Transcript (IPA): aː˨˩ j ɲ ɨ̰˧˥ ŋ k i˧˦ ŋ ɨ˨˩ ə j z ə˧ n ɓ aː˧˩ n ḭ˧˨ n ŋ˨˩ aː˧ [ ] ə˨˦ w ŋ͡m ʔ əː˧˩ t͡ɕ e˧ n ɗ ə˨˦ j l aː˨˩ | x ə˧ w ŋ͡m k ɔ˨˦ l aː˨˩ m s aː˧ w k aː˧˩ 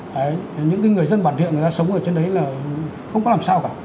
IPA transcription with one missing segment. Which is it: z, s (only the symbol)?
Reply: s